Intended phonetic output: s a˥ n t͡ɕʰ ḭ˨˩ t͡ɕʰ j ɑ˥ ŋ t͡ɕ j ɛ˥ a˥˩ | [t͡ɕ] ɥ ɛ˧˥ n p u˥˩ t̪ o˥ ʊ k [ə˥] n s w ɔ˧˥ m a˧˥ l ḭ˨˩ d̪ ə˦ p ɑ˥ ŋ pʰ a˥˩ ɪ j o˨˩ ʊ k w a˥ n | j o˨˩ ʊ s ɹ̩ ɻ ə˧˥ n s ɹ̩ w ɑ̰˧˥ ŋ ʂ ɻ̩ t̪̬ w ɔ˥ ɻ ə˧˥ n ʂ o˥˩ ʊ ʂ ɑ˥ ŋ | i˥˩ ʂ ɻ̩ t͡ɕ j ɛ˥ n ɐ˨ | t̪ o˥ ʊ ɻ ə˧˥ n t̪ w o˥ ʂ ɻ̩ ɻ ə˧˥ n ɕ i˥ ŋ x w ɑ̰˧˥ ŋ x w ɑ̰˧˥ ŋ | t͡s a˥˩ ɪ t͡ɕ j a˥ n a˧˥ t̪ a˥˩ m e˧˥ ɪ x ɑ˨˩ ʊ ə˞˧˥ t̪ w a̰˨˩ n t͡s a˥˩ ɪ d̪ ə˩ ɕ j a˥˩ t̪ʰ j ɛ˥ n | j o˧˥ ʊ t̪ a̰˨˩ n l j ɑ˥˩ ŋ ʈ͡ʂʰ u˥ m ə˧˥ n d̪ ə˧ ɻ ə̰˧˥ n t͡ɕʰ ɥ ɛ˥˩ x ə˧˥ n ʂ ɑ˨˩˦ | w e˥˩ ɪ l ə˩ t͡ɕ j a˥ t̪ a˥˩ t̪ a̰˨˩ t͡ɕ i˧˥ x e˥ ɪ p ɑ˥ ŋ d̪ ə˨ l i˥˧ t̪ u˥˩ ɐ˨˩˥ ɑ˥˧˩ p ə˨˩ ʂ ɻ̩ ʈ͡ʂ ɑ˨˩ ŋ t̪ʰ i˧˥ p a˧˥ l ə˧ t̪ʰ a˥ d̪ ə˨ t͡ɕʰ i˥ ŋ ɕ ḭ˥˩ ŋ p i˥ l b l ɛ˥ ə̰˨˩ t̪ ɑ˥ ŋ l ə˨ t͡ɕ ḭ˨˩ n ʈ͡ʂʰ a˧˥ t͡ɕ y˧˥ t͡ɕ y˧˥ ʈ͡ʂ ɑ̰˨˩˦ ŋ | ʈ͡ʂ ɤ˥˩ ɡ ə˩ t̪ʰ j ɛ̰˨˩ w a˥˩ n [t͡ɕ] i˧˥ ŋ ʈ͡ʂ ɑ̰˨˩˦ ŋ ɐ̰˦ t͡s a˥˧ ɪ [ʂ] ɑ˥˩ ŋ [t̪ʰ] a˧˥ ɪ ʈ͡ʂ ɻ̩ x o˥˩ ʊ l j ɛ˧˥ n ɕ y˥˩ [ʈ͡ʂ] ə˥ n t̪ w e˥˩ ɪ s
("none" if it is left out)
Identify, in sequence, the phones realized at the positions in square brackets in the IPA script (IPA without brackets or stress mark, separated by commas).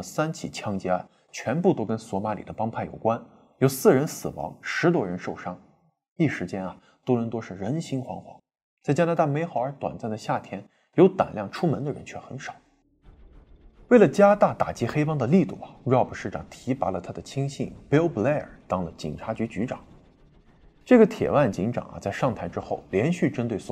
t͡ɕʰ, ə˥, t͡ɕ, ʂ, t̪ʰ, ʈ͡ʂ